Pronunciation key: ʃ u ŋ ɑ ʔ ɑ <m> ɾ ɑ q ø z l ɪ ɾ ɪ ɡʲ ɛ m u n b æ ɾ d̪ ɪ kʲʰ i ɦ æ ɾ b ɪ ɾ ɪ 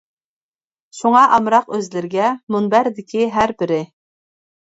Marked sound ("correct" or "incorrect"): correct